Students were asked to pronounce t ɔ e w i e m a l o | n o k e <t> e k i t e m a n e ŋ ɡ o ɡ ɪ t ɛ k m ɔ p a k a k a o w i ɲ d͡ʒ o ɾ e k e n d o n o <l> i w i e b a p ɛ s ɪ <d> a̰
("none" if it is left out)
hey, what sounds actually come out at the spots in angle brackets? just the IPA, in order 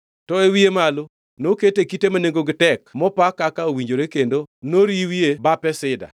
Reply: t, ɾ, d

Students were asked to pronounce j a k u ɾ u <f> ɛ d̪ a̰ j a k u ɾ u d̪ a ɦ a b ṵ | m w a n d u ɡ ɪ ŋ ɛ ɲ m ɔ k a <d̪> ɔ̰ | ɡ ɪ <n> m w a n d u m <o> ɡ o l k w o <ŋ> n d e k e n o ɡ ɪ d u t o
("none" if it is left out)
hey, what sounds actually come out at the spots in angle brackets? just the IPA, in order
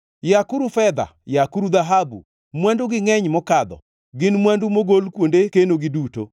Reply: f, d̪, n, o, none

